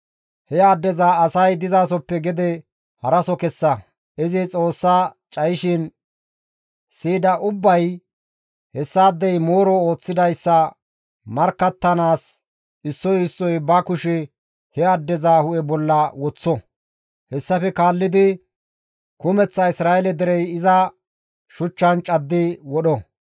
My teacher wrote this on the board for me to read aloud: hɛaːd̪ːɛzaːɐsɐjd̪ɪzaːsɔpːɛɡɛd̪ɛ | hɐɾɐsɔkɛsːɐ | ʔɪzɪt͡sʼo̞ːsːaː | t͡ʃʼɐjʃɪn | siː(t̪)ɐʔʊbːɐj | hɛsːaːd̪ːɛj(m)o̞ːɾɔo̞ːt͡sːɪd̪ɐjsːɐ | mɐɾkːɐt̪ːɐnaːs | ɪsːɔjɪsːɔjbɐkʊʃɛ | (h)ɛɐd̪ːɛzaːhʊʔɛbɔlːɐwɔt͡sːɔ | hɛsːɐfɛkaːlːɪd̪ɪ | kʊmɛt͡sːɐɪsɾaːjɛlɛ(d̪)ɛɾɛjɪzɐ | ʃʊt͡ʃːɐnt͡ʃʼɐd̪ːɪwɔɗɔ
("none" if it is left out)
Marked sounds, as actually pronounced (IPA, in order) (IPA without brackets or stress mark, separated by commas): d̪, m, h, d̪